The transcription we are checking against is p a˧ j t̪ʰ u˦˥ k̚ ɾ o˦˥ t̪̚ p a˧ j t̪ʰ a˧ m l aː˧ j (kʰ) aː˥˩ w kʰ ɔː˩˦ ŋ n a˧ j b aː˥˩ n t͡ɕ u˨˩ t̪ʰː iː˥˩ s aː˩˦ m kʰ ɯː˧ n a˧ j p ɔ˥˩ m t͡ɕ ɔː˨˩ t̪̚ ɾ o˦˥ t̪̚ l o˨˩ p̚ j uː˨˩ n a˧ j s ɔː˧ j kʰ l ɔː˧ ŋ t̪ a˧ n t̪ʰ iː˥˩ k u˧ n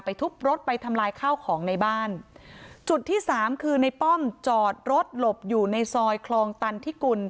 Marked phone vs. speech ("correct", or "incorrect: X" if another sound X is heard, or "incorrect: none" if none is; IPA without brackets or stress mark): correct